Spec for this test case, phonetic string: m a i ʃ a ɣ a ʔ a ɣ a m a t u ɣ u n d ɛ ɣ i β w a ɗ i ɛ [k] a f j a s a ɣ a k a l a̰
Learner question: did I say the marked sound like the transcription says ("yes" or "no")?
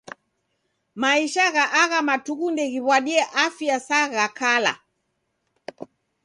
no